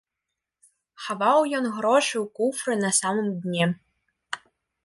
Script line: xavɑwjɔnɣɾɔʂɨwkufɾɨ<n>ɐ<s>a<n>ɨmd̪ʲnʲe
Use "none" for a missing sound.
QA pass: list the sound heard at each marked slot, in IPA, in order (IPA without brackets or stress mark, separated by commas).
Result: n, s, m